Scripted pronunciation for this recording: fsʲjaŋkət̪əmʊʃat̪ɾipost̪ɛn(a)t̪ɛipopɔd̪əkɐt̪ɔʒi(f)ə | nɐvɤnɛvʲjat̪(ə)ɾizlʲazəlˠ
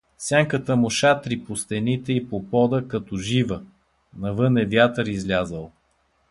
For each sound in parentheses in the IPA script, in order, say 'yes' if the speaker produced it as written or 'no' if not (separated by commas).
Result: no, no, yes